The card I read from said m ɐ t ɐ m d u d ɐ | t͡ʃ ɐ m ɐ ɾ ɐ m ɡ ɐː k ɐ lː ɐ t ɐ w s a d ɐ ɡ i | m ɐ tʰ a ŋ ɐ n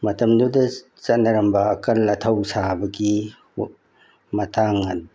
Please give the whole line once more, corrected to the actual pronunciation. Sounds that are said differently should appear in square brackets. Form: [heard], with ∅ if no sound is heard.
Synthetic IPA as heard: m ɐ t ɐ m d u d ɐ | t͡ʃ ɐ [n] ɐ ɾ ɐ m [b] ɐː k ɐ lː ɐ [tʰ] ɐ w s a [b] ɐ ɡ i | m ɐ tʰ a ŋ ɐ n